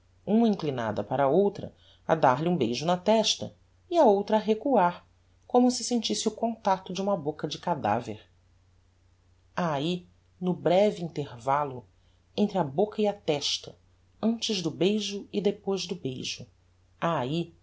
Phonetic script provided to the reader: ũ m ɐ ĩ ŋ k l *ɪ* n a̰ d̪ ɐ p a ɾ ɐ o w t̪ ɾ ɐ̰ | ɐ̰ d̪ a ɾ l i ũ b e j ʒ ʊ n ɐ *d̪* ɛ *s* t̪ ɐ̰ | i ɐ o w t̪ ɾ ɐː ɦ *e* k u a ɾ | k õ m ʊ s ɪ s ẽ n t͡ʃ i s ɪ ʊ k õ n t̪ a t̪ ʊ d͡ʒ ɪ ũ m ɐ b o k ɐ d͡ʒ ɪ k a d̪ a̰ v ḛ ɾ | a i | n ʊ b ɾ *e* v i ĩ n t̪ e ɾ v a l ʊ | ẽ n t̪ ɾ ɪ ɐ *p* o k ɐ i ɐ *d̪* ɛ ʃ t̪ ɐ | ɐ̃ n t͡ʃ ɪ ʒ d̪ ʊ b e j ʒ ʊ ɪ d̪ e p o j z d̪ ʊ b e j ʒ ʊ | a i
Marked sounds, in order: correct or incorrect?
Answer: incorrect, incorrect, incorrect, correct, incorrect, incorrect, incorrect

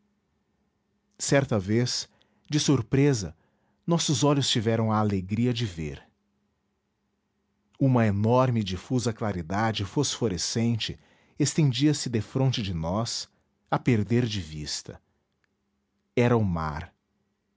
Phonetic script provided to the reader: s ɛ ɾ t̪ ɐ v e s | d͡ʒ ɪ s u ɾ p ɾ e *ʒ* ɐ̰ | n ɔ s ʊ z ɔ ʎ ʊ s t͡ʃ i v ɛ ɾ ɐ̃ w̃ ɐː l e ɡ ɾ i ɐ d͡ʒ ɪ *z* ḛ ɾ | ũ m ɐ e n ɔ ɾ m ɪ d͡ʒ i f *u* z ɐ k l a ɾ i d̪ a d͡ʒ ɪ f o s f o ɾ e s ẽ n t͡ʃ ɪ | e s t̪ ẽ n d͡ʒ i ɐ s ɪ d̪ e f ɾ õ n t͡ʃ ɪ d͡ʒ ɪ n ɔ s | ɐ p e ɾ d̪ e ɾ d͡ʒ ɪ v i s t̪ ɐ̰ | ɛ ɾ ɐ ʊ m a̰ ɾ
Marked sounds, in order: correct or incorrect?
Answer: incorrect, incorrect, correct

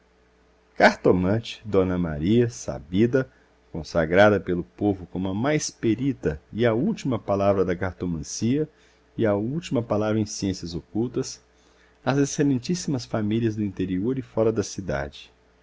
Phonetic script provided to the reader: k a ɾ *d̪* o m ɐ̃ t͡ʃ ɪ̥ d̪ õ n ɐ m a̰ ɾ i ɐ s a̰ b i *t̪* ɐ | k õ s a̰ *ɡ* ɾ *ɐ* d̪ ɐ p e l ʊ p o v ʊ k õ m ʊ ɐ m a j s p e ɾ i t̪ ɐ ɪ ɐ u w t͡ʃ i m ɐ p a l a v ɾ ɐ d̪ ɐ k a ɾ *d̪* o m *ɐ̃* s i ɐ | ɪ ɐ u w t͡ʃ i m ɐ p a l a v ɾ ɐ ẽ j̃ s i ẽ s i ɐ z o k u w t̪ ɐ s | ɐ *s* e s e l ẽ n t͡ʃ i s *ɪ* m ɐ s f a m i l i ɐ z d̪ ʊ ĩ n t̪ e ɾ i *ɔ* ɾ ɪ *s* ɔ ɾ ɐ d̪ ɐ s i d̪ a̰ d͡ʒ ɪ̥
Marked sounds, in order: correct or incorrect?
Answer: incorrect, incorrect, correct, incorrect, incorrect, correct, incorrect, incorrect, incorrect, incorrect

